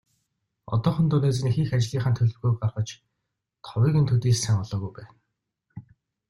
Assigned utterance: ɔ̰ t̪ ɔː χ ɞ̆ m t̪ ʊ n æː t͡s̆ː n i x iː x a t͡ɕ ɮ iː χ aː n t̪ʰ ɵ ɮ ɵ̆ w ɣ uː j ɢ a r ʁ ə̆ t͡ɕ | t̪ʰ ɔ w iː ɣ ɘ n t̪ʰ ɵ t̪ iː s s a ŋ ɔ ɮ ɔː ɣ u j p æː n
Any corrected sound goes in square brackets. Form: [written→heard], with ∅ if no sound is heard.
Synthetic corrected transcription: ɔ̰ t̪ ɔː χ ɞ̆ [m→n] t̪ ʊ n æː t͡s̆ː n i x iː x a t͡ɕ ɮ iː χ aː n t̪ʰ ɵ ɮ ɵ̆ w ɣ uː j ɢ a r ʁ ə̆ t͡ɕ | t̪ʰ ɔ w iː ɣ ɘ n t̪ʰ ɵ t̪ iː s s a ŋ ɔ ɮ ɔː ɣ u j p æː n

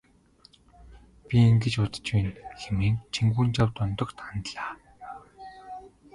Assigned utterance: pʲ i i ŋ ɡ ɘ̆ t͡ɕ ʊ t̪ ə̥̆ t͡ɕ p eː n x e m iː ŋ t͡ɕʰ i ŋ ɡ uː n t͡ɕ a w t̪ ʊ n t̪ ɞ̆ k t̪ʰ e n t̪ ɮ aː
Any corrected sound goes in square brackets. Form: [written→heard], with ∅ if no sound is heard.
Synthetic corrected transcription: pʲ i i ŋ ɡ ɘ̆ t͡ɕ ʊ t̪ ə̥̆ t͡ɕ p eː n x e m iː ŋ t͡ɕʰ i ŋ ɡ uː n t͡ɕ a w t̪ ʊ n t̪ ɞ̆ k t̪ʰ [e→a] n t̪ ɮ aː

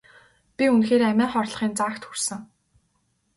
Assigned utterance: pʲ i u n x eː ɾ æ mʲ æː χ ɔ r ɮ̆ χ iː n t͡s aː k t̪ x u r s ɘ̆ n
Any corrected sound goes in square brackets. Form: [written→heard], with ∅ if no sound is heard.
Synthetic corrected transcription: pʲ i u n x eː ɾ æ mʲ æː χ ɔ r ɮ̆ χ iː n t͡s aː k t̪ x u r s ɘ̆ [n→ŋ]

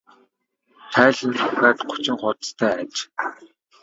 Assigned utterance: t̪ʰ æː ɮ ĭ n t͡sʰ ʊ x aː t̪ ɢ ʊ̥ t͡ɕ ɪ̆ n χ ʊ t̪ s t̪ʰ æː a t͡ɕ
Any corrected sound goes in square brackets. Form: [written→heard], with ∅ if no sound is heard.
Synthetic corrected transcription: t̪ʰ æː ɮ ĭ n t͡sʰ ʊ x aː t̪ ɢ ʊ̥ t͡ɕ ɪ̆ [n→ŋ] χ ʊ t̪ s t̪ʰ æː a t͡ɕ

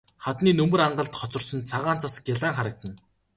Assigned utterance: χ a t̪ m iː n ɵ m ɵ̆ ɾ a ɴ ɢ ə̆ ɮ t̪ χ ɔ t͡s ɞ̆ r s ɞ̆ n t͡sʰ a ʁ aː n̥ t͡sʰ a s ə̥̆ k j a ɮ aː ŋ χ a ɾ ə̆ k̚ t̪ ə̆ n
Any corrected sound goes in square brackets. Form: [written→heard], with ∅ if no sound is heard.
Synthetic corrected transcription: χ a t̪ [m→n] iː n ɵ m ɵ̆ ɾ a ɴ ɢ ə̆ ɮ t̪ χ ɔ t͡s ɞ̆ r s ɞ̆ n t͡sʰ a ʁ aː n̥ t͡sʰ a s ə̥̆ k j a ɮ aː ŋ χ a ɾ ə̆ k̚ t̪ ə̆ n

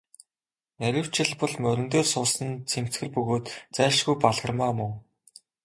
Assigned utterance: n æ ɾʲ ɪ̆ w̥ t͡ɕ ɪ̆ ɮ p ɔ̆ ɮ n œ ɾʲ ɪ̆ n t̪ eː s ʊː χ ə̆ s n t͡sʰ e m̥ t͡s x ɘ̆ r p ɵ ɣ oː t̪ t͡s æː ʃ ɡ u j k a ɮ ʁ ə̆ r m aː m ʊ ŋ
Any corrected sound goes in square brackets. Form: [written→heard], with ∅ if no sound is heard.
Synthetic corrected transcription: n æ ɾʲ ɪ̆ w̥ t͡ɕ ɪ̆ ɮ p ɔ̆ ɮ [n→m] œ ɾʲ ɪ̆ n t̪ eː s ʊː [χ→s] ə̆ [s→∅] n t͡sʰ e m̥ t͡s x ɘ̆ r p ɵ ɣ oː t̪ t͡s æː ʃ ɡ u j [k→p] a ɮ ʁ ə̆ r m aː m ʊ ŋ

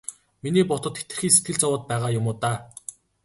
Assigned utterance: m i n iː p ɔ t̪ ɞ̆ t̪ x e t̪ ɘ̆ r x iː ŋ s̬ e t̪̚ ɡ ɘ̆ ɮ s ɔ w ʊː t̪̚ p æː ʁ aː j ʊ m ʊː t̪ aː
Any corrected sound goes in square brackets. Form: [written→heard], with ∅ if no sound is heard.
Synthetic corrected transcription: m i n iː p ɔ t̪ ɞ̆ t̪ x e t̪ ɘ̆ r x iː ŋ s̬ e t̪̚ ɡ ɘ̆ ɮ [s→t͡s] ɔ w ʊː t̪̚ p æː ʁ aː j ʊ m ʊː t̪ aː

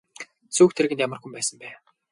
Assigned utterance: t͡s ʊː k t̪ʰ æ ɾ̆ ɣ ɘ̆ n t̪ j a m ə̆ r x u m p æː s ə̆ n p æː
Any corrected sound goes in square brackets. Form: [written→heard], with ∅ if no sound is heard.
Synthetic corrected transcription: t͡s [ʊː→uː] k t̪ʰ [æ→e] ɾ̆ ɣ ɘ̆ n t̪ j a m ə̆ r x u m p æː s ə̆ [n→m] p æː

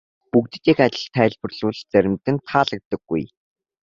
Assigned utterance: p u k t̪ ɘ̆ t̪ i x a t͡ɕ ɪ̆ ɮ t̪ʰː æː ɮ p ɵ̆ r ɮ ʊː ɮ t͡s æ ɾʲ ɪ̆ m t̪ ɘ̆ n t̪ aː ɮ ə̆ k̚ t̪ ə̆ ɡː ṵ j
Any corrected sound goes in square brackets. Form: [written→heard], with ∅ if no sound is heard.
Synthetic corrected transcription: p u k t̪ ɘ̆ t̪ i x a t͡ɕ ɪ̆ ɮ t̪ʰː æː ɮ p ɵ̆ r ɮ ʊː ɮ t͡s æ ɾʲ ɪ̆ m t̪ ɘ̆ n [t̪→t̪ʰ] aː ɮ ə̆ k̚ t̪ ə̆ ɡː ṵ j

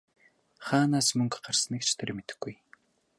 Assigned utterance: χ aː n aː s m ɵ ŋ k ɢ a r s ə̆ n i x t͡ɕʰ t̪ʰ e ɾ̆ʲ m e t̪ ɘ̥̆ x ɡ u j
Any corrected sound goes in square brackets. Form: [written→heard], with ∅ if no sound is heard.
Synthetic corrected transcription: χ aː n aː s m ɵ ŋ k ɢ a r s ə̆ n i [x→k] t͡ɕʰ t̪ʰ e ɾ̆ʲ m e t̪ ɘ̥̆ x ɡ u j

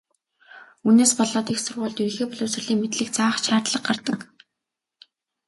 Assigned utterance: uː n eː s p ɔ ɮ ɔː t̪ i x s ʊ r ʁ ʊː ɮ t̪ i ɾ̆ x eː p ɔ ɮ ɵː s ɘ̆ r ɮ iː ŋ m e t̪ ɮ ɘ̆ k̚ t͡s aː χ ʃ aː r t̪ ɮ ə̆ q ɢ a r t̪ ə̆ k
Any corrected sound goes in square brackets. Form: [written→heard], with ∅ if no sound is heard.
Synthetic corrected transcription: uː n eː s p ɔ ɮ ɔː t̪ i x s ʊ r ʁ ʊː ɮ t̪ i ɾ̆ x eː p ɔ ɮ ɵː s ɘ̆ r ɮ iː ŋ m e t̪ ɮ ɘ̆ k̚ t͡s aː χ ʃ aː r t̪ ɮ ə̆ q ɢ a r t̪ ə̆ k

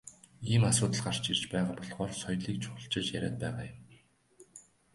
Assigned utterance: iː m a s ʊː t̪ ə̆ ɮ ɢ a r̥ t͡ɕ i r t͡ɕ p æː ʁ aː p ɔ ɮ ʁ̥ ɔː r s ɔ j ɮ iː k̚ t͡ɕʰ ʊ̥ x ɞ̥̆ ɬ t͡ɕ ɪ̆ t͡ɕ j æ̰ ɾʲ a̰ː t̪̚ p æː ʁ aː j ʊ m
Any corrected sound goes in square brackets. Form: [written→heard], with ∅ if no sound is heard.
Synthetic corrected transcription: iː m a s ʊː t̪ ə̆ ɮ ɢ a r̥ t͡ɕ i r t͡ɕ p æː ʁ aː p ɔ ɮ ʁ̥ ɔː r s ɔ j ɮ iː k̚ t͡ɕʰ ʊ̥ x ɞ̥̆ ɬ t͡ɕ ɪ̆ t͡ɕ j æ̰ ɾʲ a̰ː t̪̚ p æː ʁ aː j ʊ m

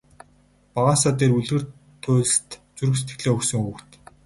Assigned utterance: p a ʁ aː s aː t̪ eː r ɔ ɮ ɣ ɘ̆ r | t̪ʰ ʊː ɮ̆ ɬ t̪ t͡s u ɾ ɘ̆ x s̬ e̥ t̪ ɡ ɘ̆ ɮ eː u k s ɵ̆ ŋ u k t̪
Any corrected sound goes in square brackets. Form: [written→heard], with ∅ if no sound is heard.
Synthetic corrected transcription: p a ʁ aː s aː t̪ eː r [ɔ→u] ɮ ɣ ɘ̆ r | t̪ʰ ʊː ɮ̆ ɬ t̪ t͡s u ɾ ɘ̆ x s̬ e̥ t̪ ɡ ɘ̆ ɮ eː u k s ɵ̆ ŋ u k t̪

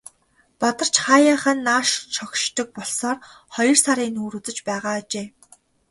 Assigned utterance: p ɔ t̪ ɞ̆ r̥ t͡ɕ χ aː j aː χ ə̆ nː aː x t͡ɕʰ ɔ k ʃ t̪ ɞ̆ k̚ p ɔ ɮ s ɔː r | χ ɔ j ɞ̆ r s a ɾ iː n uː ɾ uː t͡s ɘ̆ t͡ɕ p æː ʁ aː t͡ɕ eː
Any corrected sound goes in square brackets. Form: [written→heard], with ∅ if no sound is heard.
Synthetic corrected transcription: p ɔ t̪ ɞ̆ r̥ t͡ɕ χ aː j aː χ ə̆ nː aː [x→ʃ] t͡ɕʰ ɔ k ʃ t̪ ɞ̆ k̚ p ɔ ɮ s ɔː r | χ ɔ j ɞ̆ r s a ɾ iː n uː ɾ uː t͡s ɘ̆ t͡ɕ p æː ʁ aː t͡ɕ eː

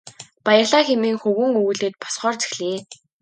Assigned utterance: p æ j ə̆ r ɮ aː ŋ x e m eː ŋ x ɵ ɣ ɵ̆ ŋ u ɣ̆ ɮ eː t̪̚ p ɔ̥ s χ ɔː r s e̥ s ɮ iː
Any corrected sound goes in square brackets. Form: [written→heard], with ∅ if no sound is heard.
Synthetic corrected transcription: p [æ→a] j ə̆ r ɮ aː [ŋ→∅] x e m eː ŋ x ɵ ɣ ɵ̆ ŋ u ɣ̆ ɮ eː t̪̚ p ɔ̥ s χ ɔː r [s→t͡s] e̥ [s→x] ɮ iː

